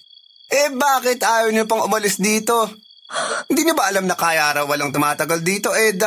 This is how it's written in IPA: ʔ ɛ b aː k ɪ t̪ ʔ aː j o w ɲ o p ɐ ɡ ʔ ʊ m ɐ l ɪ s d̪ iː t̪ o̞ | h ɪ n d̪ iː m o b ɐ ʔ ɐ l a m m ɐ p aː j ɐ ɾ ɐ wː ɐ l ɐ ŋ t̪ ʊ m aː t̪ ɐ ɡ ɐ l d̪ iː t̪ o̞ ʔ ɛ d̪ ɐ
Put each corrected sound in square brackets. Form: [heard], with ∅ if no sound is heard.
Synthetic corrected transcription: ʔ ɛ b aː k ɪ t̪ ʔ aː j o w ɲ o p ɐ [ŋ] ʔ ʊ m ɐ l ɪ s d̪ iː t̪ o̞ | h ɪ n d̪ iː [ɲ] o b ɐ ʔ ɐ l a m [n] ɐ [k] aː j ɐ ɾ ɐ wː ɐ l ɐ ŋ t̪ ʊ m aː t̪ ɐ ɡ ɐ l d̪ iː t̪ o̞ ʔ ɛ d̪ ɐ